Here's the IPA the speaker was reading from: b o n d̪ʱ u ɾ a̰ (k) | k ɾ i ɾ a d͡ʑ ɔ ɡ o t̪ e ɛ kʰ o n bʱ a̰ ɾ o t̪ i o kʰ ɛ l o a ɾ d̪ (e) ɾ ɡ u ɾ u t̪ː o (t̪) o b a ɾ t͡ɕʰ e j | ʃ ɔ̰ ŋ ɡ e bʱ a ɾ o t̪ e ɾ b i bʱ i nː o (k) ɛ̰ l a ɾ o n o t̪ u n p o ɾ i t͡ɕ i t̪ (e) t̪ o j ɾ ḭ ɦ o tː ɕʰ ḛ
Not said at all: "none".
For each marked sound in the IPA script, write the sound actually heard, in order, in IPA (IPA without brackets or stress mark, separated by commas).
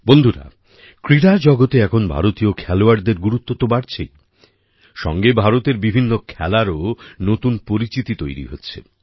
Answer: none, e, t̪, kʰ, i